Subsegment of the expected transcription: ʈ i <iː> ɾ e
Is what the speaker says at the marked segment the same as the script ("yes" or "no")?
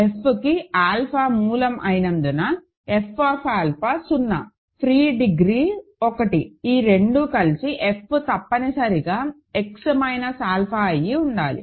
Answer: yes